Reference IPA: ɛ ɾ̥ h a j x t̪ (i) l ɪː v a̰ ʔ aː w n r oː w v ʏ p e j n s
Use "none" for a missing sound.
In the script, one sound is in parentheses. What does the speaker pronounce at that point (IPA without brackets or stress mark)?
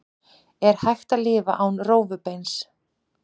a